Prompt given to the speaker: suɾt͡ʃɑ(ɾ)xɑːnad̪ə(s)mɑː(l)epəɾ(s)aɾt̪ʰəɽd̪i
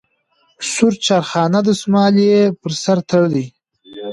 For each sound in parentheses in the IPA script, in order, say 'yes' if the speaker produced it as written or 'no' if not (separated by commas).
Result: yes, yes, yes, yes